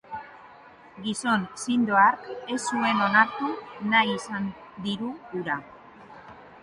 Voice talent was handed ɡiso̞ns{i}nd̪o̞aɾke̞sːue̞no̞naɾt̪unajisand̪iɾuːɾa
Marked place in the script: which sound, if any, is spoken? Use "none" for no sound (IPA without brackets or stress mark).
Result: i